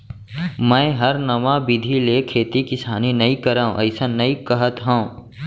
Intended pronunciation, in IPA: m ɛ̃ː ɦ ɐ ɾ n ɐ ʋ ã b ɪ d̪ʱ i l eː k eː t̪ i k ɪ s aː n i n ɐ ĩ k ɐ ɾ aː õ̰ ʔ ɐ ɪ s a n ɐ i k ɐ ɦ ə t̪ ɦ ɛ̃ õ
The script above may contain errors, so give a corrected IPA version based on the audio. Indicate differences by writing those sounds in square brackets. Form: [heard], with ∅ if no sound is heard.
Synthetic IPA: m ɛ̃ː ɦ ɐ ɾ n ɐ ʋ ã b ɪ d̪ʱ i l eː [kʰ] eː t̪ i k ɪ s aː n i n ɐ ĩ k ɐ ɾ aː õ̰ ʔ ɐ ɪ s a n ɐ i k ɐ ɦ ə t̪ ɦ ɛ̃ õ